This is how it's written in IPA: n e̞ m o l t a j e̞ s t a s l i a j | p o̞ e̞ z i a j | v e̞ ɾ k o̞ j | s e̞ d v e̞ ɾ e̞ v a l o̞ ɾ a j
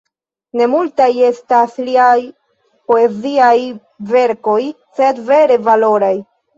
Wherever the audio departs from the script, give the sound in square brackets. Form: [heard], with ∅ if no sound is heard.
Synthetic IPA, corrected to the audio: n e̞ m [u] l t a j e̞ s t a s l i a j | p o̞ e̞ z i a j | v e̞ ɾ k o̞ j | s e̞ d v e̞ ɾ e̞ v a l o̞ ɾ a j